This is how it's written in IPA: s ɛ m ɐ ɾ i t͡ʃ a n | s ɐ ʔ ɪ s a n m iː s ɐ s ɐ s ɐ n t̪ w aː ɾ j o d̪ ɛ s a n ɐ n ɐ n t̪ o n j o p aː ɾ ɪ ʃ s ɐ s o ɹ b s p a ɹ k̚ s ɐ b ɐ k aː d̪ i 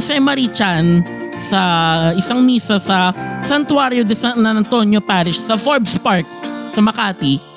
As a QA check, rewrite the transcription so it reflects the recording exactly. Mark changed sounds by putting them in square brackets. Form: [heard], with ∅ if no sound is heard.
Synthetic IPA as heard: s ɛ m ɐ ɾ i t͡ʃ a n | s ɐ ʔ ɪ s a [ŋ] m iː s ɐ s ɐ s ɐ n t̪ w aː ɾ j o d̪ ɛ s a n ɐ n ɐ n t̪ o n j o p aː ɾ ɪ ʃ s ɐ [f] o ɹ b s p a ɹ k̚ s ɐ [m] ɐ k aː [t̪] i